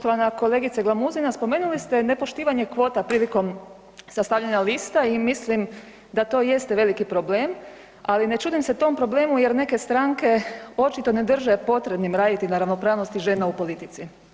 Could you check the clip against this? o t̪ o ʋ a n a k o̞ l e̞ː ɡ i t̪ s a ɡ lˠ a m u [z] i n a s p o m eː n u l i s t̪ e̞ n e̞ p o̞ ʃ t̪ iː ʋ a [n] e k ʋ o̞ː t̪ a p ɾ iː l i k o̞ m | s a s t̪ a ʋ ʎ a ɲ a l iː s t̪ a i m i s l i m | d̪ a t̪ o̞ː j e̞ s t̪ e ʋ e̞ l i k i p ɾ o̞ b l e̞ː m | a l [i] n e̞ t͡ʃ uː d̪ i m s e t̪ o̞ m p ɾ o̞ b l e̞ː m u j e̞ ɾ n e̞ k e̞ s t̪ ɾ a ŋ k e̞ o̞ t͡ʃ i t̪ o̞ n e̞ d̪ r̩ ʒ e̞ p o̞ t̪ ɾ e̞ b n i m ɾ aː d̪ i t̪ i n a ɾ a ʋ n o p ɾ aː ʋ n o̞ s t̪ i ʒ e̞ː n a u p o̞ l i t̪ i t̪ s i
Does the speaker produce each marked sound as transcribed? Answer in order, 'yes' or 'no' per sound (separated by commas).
yes, no, yes